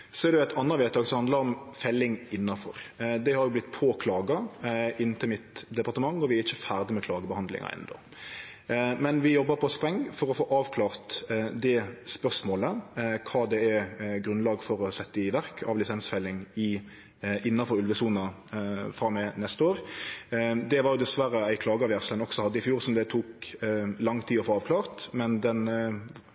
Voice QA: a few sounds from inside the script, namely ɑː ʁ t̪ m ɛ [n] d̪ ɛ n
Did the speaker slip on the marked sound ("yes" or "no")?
no